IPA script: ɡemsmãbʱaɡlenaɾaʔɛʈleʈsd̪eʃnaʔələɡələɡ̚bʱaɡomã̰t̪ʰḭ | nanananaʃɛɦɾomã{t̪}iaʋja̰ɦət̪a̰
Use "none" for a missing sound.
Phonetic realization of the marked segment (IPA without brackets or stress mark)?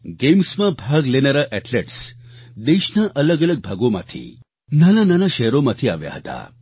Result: t̪ʰ